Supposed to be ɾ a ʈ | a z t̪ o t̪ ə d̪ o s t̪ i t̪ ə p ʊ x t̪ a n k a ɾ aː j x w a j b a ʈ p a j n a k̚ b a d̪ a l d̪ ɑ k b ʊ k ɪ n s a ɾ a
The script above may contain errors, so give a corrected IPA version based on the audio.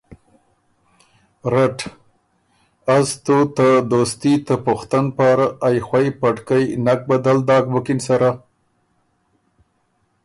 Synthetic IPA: ɾ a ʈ | a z t̪ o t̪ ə d̪ o s t̪ i t̪ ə p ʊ x t̪ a n p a ɾ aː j x w a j p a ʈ k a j n a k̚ b a d̪ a l d̪ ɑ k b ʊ k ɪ n s a ɾ a